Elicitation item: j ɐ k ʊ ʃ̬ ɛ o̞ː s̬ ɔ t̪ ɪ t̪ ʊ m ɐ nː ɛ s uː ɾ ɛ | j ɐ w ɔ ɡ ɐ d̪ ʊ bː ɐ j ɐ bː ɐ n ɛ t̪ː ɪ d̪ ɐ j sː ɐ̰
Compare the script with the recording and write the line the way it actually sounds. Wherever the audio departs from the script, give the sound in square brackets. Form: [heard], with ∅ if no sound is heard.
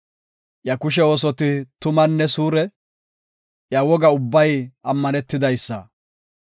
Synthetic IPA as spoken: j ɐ k ʊ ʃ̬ ɛ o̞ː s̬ ɔ t̪ ɪ t̪ ʊ m ɐ nː ɛ s uː ɾ ɛ | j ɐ w ɔ ɡ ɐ [∅] ʊ bː ɐ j ɐ [mː] ɐ n ɛ t̪ː ɪ d̪ ɐ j sː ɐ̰